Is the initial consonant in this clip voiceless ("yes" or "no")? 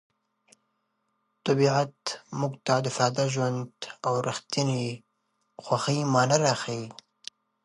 yes